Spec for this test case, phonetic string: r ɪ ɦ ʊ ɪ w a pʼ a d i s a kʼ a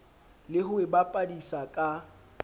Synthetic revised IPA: l ɪ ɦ ʊ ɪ b a pʼ a d i s a kʼ a